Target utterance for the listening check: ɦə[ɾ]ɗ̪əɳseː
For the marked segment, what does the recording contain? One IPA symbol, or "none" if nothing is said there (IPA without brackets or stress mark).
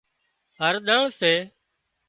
ɾ